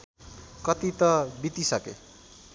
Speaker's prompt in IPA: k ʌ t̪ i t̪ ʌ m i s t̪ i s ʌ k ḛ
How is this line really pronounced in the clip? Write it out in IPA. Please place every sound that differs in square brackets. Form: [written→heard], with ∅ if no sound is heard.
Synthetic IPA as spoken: k ʌ t̪ i t̪ ʌ [m→b] i [s→∅] t̪ i s ʌ k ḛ